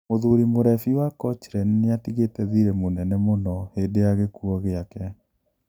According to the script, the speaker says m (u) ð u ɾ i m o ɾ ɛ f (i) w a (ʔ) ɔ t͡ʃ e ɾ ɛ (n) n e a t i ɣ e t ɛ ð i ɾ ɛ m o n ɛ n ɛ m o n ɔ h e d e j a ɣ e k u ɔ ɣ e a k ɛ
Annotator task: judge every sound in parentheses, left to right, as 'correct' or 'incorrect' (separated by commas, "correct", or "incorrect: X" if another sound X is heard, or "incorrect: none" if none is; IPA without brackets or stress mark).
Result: incorrect: o, correct, incorrect: k, correct